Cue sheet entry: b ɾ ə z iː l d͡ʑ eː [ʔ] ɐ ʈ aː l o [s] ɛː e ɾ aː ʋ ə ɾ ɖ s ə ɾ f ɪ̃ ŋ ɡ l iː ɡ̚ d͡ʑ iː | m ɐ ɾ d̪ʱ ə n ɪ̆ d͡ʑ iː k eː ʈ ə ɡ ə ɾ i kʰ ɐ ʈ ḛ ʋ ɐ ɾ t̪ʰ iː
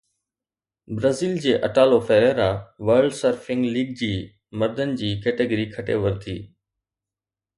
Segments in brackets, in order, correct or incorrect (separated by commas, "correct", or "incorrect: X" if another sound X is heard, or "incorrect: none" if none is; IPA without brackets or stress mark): correct, incorrect: f